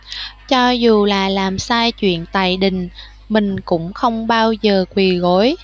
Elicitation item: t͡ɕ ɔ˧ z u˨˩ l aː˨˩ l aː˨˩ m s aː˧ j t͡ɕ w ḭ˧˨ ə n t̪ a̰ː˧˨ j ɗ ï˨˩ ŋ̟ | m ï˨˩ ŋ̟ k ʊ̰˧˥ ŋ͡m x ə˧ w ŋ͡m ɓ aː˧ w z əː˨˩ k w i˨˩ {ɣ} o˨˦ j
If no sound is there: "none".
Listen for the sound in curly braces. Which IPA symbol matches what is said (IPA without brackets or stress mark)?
ɣ